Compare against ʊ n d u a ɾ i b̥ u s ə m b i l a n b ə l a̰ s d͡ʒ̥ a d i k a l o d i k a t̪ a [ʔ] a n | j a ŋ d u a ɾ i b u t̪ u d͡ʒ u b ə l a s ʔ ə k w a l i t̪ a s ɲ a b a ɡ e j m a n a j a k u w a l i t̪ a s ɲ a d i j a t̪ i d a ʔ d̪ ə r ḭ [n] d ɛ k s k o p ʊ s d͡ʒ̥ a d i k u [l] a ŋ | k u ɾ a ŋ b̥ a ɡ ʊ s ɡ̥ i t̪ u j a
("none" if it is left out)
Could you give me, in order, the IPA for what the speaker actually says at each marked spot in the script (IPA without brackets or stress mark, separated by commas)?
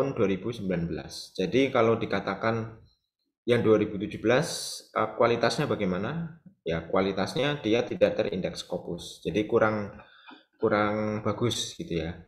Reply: k, n, ɾ